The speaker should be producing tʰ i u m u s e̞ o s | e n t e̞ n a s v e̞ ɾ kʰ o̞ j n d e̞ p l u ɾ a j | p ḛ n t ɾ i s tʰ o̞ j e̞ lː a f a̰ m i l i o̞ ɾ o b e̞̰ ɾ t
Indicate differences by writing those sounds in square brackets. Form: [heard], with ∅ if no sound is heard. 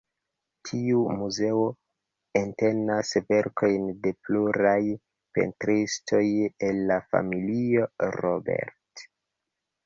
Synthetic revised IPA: tʰ i u m u [z] e̞ o [∅] | e n t e̞ n a s v e̞ ɾ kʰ o̞ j n d e̞ p l u ɾ a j | p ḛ n t ɾ i s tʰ o̞ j e̞ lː a f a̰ m i l i o̞ ɾ o b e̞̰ ɾ t

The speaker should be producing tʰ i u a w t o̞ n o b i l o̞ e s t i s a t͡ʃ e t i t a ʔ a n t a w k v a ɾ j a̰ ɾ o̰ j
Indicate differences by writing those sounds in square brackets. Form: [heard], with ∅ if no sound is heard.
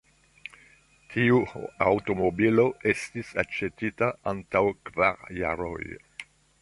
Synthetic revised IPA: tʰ i u a w t o̞ [m] o b i l o̞ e s t i s a t͡ʃ e t i t a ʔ a n t a w k v a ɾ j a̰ ɾ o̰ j

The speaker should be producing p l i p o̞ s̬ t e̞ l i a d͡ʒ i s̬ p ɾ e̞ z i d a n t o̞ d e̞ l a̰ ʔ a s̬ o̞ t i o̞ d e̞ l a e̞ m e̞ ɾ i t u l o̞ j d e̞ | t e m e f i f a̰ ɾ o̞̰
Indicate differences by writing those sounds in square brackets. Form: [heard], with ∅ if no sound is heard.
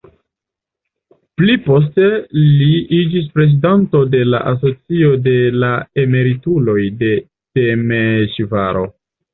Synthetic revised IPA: p l i p o̞ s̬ t e̞ l i [i] d͡ʒ i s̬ p ɾ e̞ z i d a n t o̞ d e̞ l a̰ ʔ a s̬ o̞ [t͡s] i o̞ d e̞ l a e̞ m e̞ ɾ i t u l o̞ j d e̞ | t e m e [ʃ] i [v] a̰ ɾ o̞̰

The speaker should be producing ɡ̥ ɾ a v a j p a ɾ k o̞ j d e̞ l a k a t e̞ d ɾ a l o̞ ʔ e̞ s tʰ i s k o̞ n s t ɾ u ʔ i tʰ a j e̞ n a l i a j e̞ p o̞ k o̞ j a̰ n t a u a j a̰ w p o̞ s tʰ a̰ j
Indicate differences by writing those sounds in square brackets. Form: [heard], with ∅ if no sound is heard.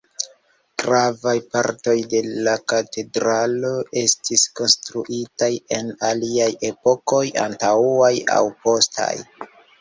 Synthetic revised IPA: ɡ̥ ɾ a v a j p a ɾ [t] o̞ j d e̞ l a k a t e̞ d ɾ a l o̞ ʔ e̞ s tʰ i s k o̞ n s t ɾ u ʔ i [t] a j e̞ n a l i a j e̞ p o̞ k o̞ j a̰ n t a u a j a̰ w p o̞ s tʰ a̰ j

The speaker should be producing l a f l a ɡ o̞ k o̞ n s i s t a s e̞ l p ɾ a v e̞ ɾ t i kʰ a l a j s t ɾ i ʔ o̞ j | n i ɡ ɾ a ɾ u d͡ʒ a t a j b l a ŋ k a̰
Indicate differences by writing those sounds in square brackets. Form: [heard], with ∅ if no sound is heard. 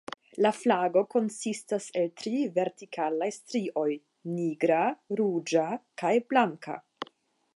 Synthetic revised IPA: l a f l a ɡ o̞ k o̞ n s i s t a s e̞ l [t] ɾ [i] v e̞ ɾ t i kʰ a l a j s t ɾ i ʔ o̞ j | n i ɡ ɾ a ɾ u d͡ʒ a [k] a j b l a ŋ k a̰

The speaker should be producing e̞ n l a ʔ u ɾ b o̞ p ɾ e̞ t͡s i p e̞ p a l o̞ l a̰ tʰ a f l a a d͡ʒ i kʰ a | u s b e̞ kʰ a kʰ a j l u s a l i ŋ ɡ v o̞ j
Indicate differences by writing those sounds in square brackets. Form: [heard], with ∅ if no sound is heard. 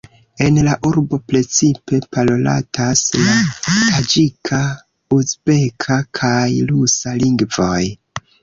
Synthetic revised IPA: e̞ n l a ʔ u ɾ b o̞ p ɾ e̞ t͡s i p e̞ p a l o̞ l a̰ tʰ a [s] l a a d͡ʒ i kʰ a | u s b e̞ kʰ a kʰ a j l u s a l i ŋ ɡ v o̞ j

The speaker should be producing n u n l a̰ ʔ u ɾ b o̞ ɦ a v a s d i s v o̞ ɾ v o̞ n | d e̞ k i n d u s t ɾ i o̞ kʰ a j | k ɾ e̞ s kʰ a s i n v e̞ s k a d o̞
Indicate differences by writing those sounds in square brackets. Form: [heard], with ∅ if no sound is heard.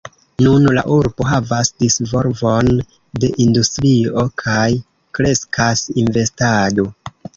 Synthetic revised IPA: n u n l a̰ ʔ u ɾ b o̞ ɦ a v a s d i s v o̞ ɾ v o̞ n | d e̞ [ʔ] i n d u s t ɾ i o̞ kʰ a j | k ɾ e̞ s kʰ a s i n v e̞ s [t] a d o̞

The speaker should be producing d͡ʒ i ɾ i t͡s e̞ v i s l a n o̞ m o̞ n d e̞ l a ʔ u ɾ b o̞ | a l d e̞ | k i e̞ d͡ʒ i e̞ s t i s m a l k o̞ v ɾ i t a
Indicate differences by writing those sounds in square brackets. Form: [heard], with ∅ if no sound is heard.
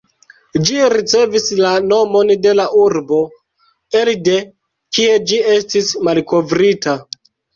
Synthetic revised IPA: d͡ʒ i ɾ i t͡s e̞ v i s l a n o̞ m o̞ n d e̞ l a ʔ u ɾ b o̞ | [e] l d e̞ | k i e̞ d͡ʒ i e̞ s t i s m a l k o̞ v ɾ i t a

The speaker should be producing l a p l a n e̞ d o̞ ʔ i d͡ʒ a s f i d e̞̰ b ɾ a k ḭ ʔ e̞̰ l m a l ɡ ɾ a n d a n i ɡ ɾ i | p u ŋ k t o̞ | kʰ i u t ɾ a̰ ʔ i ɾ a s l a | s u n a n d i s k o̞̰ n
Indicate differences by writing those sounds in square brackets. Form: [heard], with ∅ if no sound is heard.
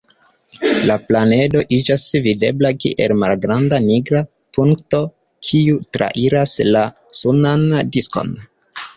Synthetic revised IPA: l a p l a n e̞ d o̞ ʔ i d͡ʒ a s [v] i d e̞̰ b [l] a k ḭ ʔ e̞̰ l m a l ɡ ɾ a n d a n i ɡ ɾ [a] | p u ŋ k t o̞ | kʰ i u t ɾ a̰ ʔ i ɾ a s l a | s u n a n d i s k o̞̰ n

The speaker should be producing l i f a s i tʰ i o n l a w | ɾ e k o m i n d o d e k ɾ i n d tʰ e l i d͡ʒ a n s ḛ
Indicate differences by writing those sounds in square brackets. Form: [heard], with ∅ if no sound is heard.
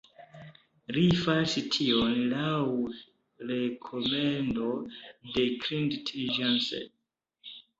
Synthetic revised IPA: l i f a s i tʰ i o n l a w | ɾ e [kʰ] o m [e] n d o d e k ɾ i n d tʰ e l i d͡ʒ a n s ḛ

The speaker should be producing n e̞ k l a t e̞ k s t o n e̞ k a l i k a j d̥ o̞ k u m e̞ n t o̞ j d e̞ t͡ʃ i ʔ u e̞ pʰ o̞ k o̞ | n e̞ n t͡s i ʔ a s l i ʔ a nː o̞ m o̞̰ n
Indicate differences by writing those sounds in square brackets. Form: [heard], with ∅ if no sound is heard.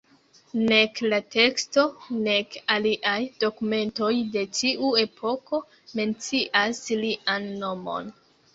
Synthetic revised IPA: n e̞ k l a t e̞ k s t o n e̞ k a l i [ʔ] a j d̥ o̞ k u m e̞ n t o̞ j d e̞ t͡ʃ i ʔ u e̞ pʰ o̞ k o̞ | [m] e̞ n t͡s i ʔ a s l i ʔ a nː o̞ m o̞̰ n

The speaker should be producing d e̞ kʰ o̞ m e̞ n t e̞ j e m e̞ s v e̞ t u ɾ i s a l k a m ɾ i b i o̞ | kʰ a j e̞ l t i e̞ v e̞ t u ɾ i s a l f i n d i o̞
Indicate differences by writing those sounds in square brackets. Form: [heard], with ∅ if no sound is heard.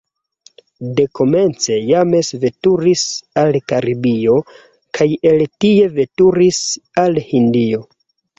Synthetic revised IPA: d e̞ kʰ o̞ m e̞ n [t͡s] e̞ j [a] m e̞ s v e̞ t u ɾ i s a l k a [∅] ɾ i b i o̞ | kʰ a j e̞ l t i e̞ v e̞ t u ɾ i s a l [h] i n d i o̞

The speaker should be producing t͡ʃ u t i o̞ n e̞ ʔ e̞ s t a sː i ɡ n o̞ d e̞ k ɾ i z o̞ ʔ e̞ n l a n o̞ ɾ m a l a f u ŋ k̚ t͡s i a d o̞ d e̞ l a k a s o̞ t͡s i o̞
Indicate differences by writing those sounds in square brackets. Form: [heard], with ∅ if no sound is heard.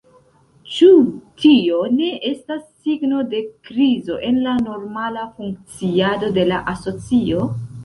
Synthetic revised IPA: t͡ʃ u t i o̞ n e̞ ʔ e̞ s t a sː i ɡ n o̞ d e̞ k ɾ i z o̞ ʔ e̞ n l a n o̞ ɾ m a l a f u ŋ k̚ t͡s i a d o̞ d e̞ l a [ʔ] a s o̞ t͡s i o̞

